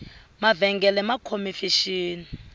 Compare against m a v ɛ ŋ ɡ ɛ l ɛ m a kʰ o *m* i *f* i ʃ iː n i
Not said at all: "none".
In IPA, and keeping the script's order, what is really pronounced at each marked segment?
m, f

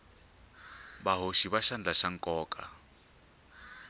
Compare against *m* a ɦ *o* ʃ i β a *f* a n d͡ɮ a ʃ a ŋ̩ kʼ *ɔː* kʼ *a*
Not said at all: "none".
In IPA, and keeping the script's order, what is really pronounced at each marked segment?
b, o, ʃ, ɔː, a

